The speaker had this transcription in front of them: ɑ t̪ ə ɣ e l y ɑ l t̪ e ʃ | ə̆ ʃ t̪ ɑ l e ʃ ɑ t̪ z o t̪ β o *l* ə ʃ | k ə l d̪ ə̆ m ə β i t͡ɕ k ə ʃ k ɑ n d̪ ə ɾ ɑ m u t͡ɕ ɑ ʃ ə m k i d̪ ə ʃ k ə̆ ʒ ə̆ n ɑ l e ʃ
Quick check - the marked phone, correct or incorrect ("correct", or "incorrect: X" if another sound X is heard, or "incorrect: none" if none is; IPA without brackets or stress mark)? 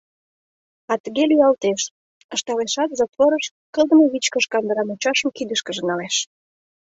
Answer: incorrect: ɾ